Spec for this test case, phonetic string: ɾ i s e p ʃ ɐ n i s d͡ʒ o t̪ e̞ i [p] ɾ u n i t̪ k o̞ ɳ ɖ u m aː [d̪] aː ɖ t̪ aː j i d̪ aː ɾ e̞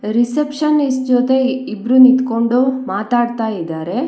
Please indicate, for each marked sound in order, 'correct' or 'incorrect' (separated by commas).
incorrect, incorrect